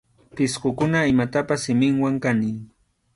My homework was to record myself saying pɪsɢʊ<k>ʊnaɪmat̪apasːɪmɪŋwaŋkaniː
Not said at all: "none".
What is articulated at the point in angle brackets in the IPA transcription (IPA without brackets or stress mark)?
k